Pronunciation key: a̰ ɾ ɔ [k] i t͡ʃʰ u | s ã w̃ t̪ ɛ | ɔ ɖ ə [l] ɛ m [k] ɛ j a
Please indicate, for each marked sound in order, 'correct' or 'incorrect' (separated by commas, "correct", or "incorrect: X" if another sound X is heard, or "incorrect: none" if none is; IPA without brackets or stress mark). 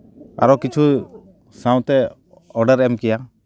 correct, incorrect: ɾ, correct